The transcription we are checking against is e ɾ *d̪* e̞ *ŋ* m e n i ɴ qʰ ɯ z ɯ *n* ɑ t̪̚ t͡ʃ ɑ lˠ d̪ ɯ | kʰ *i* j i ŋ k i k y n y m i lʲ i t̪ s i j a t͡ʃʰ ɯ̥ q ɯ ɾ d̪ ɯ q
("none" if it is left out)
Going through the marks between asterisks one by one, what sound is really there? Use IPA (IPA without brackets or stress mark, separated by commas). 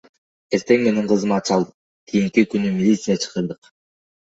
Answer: t̪, ŋ, m, i